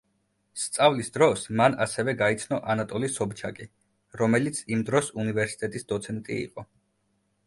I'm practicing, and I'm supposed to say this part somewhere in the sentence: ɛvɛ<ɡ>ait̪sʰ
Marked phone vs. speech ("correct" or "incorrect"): correct